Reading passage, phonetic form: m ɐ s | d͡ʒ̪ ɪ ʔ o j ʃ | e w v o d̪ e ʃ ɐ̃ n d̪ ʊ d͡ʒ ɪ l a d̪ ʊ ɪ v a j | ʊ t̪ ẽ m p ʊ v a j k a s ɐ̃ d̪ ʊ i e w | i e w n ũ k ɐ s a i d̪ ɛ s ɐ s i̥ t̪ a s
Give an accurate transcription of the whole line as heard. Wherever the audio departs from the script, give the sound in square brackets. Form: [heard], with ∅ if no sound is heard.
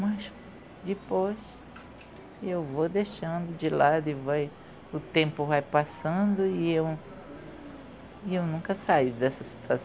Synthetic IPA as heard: m ɐ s | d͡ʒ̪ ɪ [p] o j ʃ | e w v o d̪ e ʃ ɐ̃ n d̪ ʊ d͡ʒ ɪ l a d̪ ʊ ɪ v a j | ʊ t̪ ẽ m p ʊ v a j [p] a s ɐ̃ d̪ ʊ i e w | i e w n ũ k ɐ s a i d̪ ɛ s ɐ s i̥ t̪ a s